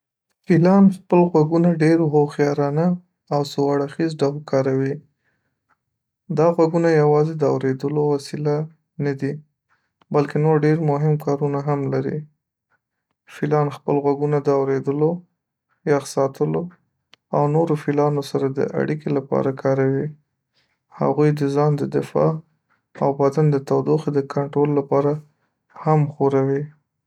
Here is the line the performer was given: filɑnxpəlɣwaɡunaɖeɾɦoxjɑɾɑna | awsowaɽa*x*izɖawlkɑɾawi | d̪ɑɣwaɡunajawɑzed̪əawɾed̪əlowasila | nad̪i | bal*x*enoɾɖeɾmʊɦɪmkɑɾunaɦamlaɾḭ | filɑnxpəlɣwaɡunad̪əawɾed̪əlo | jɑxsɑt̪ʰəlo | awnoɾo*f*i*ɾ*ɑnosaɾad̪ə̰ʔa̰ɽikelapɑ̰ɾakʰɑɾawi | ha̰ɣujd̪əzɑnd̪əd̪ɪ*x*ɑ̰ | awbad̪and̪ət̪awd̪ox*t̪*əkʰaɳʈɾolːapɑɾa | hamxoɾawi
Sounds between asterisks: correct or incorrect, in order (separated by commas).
correct, incorrect, correct, incorrect, incorrect, incorrect